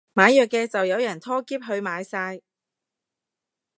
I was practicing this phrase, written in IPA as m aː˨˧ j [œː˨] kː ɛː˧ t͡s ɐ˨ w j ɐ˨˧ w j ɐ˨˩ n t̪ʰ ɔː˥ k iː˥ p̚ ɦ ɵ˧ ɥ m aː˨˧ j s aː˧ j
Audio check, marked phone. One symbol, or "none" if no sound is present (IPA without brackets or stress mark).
œː˨